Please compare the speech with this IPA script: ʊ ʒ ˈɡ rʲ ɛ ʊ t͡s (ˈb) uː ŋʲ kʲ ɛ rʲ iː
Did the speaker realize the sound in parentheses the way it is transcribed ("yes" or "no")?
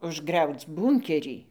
yes